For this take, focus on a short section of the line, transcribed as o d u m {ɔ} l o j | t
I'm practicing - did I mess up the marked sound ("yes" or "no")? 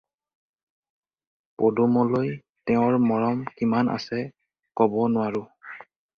no